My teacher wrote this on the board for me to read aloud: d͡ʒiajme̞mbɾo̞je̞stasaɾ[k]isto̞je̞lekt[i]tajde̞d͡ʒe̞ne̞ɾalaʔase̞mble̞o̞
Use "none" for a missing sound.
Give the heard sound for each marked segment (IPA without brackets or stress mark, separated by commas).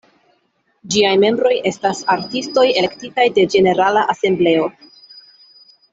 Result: t, i